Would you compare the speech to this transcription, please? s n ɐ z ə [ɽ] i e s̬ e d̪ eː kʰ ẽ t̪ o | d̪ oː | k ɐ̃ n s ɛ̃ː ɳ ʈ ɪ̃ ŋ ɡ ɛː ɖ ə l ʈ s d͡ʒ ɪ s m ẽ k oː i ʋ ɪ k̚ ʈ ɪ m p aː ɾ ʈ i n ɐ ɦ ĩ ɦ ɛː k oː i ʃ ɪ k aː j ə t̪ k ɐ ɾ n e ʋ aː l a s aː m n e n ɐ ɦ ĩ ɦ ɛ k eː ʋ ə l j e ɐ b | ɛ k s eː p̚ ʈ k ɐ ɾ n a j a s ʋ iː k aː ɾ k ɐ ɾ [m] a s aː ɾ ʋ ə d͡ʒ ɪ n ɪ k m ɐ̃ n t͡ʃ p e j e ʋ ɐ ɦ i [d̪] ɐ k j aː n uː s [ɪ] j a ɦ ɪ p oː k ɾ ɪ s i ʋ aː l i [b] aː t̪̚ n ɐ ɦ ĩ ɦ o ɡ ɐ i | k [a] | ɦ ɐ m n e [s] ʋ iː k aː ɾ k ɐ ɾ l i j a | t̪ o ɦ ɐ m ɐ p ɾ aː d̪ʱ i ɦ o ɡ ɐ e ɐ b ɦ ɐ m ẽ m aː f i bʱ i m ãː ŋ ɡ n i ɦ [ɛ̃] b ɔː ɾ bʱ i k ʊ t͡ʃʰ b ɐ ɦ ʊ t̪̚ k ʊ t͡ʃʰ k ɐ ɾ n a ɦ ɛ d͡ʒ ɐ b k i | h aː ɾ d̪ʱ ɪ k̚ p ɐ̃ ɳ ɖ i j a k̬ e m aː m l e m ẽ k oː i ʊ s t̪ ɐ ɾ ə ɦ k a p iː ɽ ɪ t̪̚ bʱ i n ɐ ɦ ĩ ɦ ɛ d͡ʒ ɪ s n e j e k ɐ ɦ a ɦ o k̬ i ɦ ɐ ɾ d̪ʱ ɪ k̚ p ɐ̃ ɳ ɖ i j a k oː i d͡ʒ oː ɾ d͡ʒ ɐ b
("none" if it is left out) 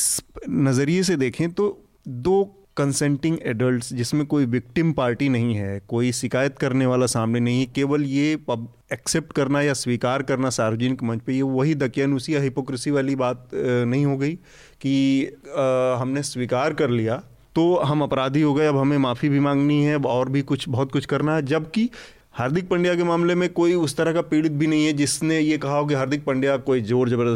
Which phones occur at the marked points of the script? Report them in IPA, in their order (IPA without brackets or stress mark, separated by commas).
ɾ, n, d̪, i, b, i, s, ɛ